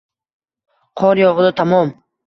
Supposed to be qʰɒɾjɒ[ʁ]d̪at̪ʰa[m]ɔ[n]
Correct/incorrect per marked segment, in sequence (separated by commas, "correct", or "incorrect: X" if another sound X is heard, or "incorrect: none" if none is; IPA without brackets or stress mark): correct, correct, incorrect: m